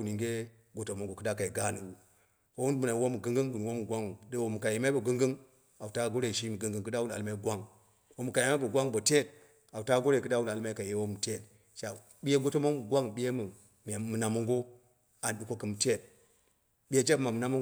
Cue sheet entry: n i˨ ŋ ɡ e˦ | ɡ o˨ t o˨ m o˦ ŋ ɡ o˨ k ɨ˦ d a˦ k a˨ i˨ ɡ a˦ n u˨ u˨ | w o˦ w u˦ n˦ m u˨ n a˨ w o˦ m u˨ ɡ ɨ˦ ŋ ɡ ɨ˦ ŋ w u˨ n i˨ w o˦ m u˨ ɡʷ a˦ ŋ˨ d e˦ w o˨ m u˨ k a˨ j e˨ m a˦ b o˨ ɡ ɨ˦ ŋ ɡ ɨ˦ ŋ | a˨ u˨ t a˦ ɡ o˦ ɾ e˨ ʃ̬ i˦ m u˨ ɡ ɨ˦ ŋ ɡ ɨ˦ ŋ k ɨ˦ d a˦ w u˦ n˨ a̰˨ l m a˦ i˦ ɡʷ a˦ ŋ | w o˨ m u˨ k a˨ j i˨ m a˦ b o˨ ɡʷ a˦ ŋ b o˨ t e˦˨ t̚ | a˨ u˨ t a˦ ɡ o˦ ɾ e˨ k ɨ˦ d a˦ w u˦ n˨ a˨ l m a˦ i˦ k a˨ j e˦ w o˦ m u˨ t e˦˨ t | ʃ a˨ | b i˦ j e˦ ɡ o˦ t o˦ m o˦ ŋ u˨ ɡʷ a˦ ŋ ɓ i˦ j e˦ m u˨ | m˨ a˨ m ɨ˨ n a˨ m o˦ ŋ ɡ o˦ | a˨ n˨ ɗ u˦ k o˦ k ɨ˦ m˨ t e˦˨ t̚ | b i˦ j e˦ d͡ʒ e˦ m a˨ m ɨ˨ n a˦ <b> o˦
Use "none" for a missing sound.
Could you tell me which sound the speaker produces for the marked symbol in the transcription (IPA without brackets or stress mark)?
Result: m